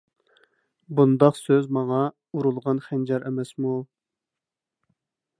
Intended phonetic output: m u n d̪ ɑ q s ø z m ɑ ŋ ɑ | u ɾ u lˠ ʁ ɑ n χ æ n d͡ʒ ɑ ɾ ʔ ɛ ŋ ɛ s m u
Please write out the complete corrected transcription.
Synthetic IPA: b u n d̪ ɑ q s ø z m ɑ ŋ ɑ | u ɾ u lˠ ʁ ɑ n χ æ n d͡ʒ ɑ ɾ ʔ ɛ m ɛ s m u